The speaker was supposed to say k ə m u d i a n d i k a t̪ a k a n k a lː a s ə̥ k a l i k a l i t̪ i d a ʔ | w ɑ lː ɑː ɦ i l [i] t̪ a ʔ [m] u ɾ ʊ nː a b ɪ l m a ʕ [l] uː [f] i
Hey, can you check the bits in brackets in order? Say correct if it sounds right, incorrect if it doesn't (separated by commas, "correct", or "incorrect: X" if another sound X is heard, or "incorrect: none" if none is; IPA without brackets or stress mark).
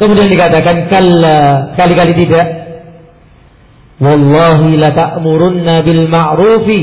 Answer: incorrect: a, correct, incorrect: ɾ, correct